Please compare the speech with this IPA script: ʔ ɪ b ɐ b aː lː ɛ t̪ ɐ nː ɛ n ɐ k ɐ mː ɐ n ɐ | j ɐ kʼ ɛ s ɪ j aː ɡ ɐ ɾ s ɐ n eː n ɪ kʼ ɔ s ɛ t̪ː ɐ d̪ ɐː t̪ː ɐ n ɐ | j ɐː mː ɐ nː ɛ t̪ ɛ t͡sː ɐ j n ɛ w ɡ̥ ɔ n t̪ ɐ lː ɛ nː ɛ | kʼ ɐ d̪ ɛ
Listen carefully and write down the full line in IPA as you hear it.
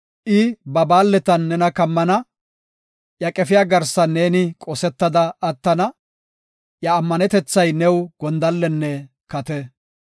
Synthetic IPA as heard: ʔ ɪ b ɐ b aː lː ɛ t̪ ɐ nː ɛ n ɐ k ɐ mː ɐ n ɐ | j ɐ kʼ ɛ f ɪ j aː ɡ ɐ ɾ s ɐ n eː n ɪ kʼ ɔ s ɛ t̪ː ɐ d̪ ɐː t̪ː ɐ n ɐ | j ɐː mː ɐ n ɛ t̪ ɛ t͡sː ɐ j n ɛ w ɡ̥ ɔ n d̪ ɐ lː ɛ nː ɛ | k ɐ t̪ ɛ